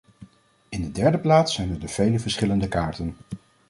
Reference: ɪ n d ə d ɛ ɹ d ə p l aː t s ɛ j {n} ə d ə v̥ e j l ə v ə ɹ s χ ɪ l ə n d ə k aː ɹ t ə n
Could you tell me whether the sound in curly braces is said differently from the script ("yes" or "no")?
no